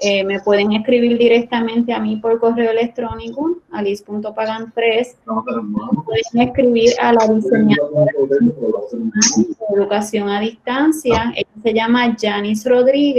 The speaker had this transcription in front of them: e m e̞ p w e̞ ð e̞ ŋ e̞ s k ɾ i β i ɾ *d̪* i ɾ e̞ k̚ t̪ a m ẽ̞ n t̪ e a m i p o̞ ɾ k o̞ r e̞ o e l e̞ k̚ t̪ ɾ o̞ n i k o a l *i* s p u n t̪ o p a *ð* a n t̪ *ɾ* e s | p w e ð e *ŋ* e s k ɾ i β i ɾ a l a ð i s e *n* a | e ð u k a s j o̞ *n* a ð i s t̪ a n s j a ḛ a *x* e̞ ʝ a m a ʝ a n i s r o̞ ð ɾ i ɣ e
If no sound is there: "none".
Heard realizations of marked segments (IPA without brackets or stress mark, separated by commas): d̪, i, ɣ, ɾ, ŋ, ɲ, ŋ, s